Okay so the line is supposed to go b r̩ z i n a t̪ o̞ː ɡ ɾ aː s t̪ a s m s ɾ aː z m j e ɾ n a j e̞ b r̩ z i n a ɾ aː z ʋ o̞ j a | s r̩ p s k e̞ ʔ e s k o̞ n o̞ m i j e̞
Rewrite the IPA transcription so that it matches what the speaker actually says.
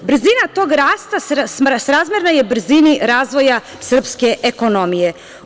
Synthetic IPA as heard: b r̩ z i n a t̪ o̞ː ɡ ɾ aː s t̪ a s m s ɾ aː z m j e ɾ n a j e̞ b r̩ z i n i ɾ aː z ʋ o̞ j a | s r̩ p s k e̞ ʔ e k o̞ n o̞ m i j e̞